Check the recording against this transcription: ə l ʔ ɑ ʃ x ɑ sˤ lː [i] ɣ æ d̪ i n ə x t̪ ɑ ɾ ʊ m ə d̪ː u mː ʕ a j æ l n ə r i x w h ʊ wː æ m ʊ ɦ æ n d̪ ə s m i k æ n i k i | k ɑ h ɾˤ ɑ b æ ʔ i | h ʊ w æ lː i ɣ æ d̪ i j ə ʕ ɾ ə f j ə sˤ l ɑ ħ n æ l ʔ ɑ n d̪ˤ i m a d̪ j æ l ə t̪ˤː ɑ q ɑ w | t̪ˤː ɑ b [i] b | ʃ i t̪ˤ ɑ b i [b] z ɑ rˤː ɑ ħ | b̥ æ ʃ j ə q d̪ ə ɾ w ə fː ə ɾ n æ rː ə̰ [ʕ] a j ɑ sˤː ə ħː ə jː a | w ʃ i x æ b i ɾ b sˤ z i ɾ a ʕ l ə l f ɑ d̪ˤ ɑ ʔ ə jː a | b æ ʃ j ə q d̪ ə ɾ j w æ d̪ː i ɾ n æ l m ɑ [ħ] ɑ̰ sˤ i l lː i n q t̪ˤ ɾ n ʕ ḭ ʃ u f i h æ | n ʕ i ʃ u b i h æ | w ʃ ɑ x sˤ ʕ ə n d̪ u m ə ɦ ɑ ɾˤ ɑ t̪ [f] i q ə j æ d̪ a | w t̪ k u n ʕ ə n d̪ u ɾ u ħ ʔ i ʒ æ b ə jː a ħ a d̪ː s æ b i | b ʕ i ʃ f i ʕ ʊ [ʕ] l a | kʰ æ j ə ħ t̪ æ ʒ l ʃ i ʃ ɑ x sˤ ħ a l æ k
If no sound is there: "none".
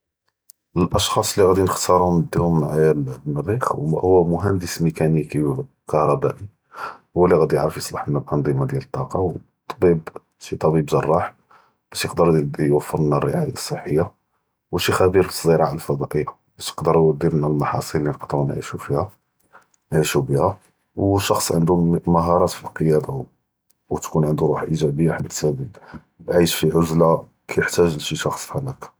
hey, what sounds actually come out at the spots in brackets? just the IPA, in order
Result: i, i, b, ʕ, ħ, f, z

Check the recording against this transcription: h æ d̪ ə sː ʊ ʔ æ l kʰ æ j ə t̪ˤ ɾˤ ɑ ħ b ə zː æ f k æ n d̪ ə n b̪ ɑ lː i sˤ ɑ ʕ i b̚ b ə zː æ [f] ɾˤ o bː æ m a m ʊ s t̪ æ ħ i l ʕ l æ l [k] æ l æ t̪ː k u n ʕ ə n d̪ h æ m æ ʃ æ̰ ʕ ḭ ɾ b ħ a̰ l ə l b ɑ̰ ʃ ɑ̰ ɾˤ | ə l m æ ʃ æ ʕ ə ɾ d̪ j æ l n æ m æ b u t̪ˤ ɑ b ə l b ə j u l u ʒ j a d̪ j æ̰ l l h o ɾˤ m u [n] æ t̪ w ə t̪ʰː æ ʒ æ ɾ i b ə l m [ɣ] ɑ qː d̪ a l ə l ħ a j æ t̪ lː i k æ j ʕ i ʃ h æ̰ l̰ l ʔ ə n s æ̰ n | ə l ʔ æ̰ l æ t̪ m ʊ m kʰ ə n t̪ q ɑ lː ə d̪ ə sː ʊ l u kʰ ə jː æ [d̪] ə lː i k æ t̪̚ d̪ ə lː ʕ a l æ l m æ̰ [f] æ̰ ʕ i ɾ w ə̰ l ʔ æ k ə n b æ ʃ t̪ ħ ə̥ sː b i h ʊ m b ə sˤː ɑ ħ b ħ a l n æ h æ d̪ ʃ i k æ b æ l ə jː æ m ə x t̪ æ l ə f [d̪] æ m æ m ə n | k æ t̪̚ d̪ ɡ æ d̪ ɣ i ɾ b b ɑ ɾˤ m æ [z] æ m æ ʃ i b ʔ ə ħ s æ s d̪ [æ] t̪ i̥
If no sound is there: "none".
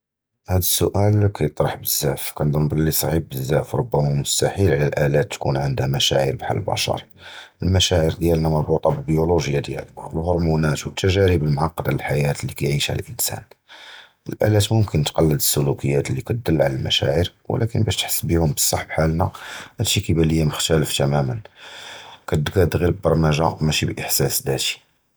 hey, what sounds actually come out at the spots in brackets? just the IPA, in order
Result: f, ʔ, n, ʕ, t̪, ʃ, t̪, ʒ, æ

